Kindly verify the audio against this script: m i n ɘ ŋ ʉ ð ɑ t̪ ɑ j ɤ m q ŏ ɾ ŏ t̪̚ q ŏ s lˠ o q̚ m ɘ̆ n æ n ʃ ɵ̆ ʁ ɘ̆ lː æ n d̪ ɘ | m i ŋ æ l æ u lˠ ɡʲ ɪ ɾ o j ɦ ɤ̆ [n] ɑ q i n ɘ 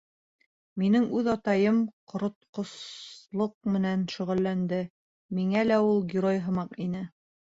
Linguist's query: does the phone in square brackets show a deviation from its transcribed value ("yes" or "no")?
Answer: yes